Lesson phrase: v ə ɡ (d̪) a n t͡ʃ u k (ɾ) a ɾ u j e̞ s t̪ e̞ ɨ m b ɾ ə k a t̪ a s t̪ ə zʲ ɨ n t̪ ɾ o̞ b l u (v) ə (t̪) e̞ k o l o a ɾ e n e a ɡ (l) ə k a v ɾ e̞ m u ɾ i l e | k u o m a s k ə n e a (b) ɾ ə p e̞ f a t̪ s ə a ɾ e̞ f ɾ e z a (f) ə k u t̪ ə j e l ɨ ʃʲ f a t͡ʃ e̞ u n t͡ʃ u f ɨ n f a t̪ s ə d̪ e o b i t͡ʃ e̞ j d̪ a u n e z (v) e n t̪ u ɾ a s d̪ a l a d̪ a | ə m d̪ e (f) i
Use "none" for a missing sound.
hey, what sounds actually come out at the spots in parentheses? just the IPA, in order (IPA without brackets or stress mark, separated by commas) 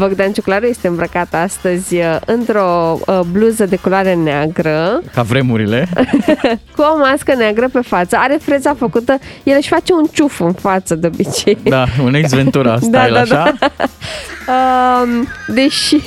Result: d̪, l, z, d̪, ɾ, ɡ, f, v, ʃ